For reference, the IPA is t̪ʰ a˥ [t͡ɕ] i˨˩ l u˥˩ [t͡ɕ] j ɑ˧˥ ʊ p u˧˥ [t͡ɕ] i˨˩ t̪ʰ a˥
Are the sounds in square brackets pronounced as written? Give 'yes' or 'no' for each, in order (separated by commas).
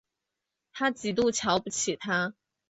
yes, no, no